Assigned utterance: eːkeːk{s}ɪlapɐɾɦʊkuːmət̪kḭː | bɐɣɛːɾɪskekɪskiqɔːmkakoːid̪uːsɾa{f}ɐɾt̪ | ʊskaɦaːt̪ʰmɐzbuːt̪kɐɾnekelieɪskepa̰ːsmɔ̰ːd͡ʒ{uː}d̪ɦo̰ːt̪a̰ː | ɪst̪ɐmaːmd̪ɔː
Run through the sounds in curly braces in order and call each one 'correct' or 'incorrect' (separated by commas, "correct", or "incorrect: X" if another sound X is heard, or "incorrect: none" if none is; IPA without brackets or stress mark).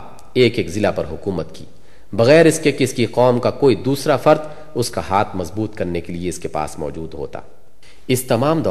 incorrect: z, correct, correct